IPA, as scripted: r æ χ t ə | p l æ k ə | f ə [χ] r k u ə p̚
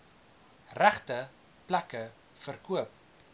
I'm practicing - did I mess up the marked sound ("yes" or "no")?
yes